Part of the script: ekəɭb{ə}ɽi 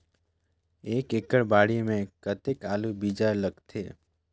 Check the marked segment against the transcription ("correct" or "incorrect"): incorrect